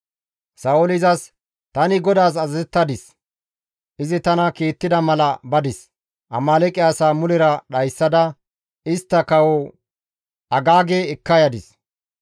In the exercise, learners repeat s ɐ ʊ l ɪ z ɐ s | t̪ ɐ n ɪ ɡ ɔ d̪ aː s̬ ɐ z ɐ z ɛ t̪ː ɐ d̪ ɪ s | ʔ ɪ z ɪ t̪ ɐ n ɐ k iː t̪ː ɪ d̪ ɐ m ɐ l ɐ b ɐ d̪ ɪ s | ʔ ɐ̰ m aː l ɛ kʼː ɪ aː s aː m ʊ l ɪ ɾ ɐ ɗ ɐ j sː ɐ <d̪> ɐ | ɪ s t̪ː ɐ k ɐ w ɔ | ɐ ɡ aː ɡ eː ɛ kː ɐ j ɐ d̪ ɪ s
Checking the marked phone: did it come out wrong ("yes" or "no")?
no